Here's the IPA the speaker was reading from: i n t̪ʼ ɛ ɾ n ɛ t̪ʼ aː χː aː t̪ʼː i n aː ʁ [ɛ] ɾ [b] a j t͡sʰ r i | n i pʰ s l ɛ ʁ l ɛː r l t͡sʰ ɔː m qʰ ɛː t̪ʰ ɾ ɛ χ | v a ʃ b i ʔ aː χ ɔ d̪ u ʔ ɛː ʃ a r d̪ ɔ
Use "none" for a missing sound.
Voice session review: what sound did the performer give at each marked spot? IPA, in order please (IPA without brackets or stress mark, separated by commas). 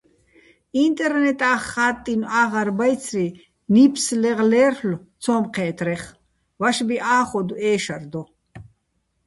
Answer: a, b